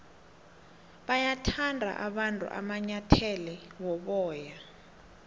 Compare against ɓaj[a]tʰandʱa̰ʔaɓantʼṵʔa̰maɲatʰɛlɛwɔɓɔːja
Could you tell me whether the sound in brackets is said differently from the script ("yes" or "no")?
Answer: no